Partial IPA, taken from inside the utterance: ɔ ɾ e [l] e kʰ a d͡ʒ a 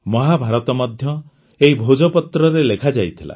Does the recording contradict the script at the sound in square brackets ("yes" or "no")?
no